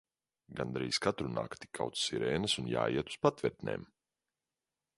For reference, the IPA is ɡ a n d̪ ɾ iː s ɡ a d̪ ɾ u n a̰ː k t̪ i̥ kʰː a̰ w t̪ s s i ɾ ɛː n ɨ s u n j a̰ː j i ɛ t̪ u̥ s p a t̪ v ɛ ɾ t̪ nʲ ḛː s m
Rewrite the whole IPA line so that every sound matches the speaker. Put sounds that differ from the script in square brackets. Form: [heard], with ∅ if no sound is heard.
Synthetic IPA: ɡ a n d̪ ɾ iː s [k] a [t̪] ɾ u n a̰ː k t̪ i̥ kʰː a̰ w t̪ s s i ɾ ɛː n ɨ s u n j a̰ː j i ɛ t̪ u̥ s p a t̪ v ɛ ɾ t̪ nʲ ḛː [∅] m